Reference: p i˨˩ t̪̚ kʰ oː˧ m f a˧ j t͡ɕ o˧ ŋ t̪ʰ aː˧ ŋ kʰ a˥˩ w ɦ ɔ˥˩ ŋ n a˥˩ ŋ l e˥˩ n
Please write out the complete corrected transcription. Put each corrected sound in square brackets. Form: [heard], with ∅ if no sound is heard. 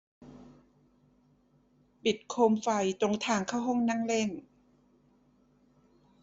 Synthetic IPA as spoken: p i˨˩ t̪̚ kʰ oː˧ m f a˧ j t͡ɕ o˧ ŋ t̪ʰ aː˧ ŋ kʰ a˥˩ w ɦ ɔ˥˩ ŋ n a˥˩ ŋ l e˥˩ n